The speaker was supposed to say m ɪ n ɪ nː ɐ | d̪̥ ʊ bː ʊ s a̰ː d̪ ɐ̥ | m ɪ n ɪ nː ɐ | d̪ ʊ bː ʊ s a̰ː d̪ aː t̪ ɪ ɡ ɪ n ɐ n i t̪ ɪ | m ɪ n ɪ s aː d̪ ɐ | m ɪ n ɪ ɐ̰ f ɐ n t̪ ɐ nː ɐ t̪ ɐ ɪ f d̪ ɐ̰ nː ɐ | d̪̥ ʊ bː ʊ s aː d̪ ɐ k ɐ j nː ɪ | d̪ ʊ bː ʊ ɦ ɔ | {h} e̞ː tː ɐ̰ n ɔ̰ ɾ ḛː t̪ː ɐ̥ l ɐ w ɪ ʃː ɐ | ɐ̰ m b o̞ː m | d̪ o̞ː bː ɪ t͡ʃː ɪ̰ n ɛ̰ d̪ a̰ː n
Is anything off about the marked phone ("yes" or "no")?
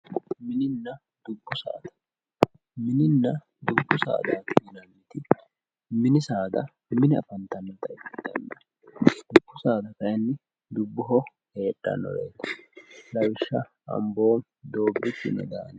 no